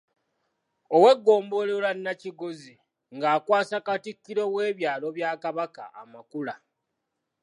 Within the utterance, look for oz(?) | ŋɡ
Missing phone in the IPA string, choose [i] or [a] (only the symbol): i